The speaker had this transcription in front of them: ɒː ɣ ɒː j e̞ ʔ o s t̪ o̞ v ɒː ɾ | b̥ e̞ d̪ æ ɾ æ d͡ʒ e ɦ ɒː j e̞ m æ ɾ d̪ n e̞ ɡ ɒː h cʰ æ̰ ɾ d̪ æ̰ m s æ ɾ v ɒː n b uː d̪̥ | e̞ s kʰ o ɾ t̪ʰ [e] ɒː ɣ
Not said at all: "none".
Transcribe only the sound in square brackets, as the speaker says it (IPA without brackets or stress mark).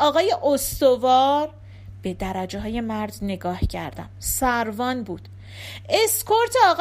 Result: e